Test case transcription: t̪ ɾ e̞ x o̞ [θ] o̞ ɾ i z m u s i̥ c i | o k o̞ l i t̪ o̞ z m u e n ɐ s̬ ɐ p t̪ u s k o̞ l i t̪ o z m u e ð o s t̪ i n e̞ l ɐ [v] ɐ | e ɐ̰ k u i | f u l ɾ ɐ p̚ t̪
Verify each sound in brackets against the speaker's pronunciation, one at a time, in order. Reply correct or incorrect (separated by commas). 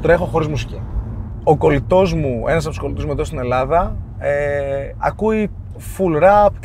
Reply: incorrect, incorrect